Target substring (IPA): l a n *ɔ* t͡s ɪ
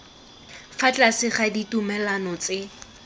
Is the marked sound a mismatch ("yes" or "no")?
no